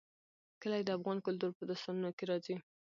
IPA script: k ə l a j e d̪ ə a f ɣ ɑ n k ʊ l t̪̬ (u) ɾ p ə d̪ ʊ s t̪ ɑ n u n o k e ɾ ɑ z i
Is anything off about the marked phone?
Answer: no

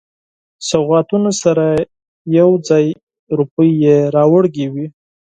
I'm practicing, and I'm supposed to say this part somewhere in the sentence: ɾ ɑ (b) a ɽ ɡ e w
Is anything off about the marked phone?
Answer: yes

